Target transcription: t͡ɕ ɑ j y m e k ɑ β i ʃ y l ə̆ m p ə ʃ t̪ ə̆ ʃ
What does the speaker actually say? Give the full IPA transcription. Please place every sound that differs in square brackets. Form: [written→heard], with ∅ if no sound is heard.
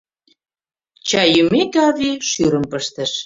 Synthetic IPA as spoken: t͡ɕ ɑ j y m e k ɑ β i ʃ y [l→ɾ] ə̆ m p ə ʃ t̪ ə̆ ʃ